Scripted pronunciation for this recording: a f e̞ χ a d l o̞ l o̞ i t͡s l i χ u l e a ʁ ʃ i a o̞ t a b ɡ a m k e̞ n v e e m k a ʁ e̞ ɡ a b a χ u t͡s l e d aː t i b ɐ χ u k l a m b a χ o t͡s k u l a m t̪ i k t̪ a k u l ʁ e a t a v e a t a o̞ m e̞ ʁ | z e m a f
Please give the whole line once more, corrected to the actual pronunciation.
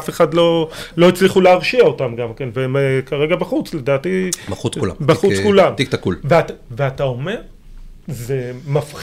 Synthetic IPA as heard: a f e̞ χ a d l o̞ l o̞ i t͡s l i χ u l e a ʁ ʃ i a o̞ t a m ɡ a m k e̞ n v e e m k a ʁ e̞ ɡ a b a χ u t͡s l e d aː t i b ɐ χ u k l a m b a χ u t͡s k u l a m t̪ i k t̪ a k u l v e a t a v e a t a o̞ m e̞ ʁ | z e m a f